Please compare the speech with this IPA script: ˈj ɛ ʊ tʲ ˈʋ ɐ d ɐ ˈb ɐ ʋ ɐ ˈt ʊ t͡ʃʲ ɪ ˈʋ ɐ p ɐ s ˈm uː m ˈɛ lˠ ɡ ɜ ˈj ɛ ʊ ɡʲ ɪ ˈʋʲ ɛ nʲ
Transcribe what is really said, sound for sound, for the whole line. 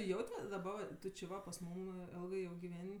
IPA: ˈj ɛ ʊ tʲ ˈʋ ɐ d ɐ ˈb ɐ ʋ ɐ ˈt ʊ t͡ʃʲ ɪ ˈʋ ɐ p ɐ s ˈm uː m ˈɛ lˠ ɡ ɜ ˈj ɛ ʊ ɡʲ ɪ ˈʋʲ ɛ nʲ